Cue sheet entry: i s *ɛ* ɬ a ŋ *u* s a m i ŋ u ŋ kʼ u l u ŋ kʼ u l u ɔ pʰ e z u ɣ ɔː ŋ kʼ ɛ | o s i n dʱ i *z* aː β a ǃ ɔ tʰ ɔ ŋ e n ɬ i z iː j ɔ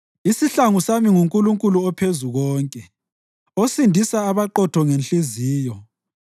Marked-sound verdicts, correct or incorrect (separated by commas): incorrect, correct, incorrect